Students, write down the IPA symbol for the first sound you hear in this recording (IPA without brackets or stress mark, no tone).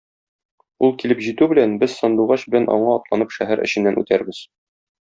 u